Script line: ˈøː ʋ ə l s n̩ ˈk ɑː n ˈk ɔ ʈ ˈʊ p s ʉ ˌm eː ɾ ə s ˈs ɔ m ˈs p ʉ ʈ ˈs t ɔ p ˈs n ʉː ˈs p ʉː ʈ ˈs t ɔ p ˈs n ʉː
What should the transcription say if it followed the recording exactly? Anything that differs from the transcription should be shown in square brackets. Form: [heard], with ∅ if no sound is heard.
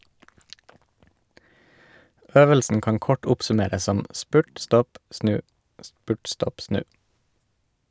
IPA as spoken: ˈøː ʋ ə l s n̩ ˈk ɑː n ˈk ɔ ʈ ˈʊ p s ʉ ˌm eː ɾ ə s ˈs ɔ m ˈs p ʉ ʈ ˈs t ɔ p ˈs n ʉː ˈs p ʉː ʈ ˈs t ɔ p ˈs n ʉː